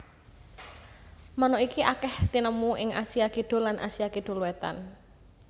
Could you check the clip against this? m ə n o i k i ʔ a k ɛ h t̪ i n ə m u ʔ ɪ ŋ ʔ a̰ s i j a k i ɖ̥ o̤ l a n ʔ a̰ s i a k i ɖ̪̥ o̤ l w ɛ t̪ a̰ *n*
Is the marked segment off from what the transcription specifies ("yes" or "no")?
no